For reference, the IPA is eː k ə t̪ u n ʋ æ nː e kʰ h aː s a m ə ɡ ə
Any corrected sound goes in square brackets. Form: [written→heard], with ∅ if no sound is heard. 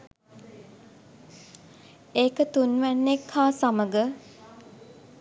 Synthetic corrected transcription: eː k ə t̪ u n ʋ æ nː e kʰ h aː s a m ə ɡ ə